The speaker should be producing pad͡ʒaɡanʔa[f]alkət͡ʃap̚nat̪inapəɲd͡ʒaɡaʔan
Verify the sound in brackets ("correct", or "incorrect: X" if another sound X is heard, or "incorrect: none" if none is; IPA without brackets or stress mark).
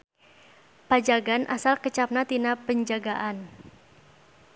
incorrect: s